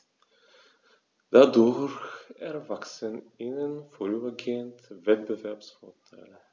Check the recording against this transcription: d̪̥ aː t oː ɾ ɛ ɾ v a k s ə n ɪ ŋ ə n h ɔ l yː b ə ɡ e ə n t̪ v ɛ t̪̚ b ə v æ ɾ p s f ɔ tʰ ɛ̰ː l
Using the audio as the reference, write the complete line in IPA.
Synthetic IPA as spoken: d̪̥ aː d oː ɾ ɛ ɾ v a k s ə n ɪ n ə n f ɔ ɾ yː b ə ɡ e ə n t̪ v ɛ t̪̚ b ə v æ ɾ p s f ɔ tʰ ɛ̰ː l

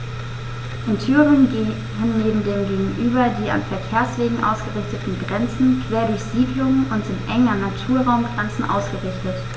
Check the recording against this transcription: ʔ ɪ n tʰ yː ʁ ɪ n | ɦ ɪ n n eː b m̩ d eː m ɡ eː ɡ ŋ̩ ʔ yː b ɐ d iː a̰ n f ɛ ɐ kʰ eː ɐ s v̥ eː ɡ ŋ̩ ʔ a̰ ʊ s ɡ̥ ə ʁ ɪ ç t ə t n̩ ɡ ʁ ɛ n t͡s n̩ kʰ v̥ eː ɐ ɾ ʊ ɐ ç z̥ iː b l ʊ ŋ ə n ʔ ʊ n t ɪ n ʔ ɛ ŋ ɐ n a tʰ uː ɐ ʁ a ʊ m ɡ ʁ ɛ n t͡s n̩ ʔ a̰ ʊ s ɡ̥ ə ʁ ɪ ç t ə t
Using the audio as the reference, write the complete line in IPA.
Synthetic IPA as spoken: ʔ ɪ n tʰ yː ʁ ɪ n | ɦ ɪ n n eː b m̩ d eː m ɡ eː ɡ ŋ̩ ʔ yː b ɐ d iː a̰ n f ɛ ɐ kʰ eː ɐ s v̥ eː ɡ ŋ̩ ʔ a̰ ʊ s ɡ̥ ə ʁ ɪ ç t ə t n̩ ɡ ʁ ɛ n t͡s n̩ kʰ v̥ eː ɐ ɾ ʊ ɐ ç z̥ iː d l ʊ ŋ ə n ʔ ʊ n t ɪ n ʔ ɛ ŋ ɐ n a tʰ uː ɐ ʁ a ʊ m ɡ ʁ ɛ n t͡s n̩ ʔ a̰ ʊ s ɡ̥ ə ʁ ɪ ç t ə t

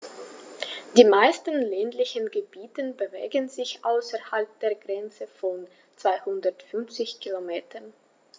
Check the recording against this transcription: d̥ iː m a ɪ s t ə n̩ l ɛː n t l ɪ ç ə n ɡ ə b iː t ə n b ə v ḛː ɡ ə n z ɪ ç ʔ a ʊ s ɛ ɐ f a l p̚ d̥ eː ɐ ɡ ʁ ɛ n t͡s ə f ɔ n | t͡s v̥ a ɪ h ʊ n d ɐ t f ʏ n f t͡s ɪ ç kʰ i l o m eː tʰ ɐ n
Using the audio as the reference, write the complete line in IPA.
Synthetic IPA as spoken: d̥ iː m a ɪ s t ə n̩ l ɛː n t l ɪ ç ə n ɡ ə b iː t ə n b ə v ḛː ɡ ə n z ɪ ç ʔ a ʊ s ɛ ɐ h a l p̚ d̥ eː ɐ ɡ ʁ ɛ n t͡s ə f ɔ n | t͡s v̥ a ɪ h ʊ n d ɐ t f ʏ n f t͡s ɪ ç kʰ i l o m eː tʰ ɐ n

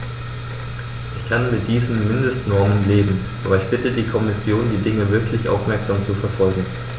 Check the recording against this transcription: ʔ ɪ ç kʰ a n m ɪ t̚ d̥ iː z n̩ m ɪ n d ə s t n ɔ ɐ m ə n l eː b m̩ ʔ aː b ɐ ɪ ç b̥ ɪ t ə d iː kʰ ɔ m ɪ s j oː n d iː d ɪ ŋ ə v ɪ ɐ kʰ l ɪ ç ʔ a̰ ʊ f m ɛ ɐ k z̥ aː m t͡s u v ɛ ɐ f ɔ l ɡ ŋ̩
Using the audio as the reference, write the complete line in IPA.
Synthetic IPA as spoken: ʔ ɪ ç kʰ a n m ɪ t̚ d̥ iː z n̩ m ɪ n d ə s t n ɔ ɐ m ə n l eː b m̩ ʔ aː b ɐ ɪ ç b̥ ɪ t ə d iː kʰ ɔ m ɪ s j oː n d iː d ɪ ŋ ə v ɪ ɐ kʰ l ɪ ç ʔ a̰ ʊ f m ɛ ɐ k z̥ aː m t͡s u f ɛ ɐ f ɔ l ɡ ŋ̩

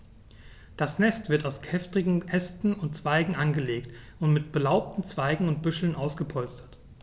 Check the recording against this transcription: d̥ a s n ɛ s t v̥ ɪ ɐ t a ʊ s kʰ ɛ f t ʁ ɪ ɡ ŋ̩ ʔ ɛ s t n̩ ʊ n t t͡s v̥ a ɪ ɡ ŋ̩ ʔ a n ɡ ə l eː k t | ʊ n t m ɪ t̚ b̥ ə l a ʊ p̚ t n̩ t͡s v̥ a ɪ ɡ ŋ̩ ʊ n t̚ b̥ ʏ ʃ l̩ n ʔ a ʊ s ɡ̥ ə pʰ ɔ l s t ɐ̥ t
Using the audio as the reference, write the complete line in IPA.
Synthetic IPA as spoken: d̥ a s n ɛ s t v̥ ɪ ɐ t a ʊ s kʰ ɛ f t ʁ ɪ ɡ ŋ̩ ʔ ɛ s t n̩ ʊ n t t͡s v̥ a ɪ ɡ ŋ̩ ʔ a n ɡ ə l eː k t | ʊ n t m ɪ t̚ b̥ ə l a ʊ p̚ t n̩ t͡s v̥ a ɪ ɡ ŋ̩ ʊ n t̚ b̥ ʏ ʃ l̩ n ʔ a ʊ s ɡ̥ ə pʰ ɔ l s t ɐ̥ t

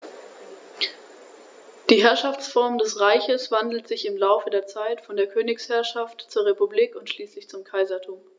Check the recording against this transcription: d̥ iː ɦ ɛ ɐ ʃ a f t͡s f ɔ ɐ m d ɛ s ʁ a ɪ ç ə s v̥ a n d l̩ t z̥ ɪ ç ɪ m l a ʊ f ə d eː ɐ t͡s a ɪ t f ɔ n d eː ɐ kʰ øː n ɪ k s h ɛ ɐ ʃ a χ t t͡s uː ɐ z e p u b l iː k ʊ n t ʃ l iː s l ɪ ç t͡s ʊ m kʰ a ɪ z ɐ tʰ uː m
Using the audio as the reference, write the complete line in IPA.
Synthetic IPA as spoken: d̥ iː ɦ ɛ ɐ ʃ a f t͡s f ɔ ɐ m d ɛ s ʁ a ɪ ç ə s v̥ a n d l̩ t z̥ ɪ ç ɪ m l a ʊ f ə d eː ɐ t͡s a ɪ t f ɔ n d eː ɐ kʰ øː n ɪ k s h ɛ ɐ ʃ a f t t͡s uː ɐ ʁ e p u b l iː k ʊ n t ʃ l iː s l ɪ ç t͡s ʊ m kʰ a ɪ z ɐ tʰ uː m

